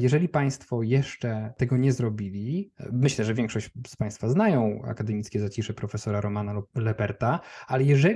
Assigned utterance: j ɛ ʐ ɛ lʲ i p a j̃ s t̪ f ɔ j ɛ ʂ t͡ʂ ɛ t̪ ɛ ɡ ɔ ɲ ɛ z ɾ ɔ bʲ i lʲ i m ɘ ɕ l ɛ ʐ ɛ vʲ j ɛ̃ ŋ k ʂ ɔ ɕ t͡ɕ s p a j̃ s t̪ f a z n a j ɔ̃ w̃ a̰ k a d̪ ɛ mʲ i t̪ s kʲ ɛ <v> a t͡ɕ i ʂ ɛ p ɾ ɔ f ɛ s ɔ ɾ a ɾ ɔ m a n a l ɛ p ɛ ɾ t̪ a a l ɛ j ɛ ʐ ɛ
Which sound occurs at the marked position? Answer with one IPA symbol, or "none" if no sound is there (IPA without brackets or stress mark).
z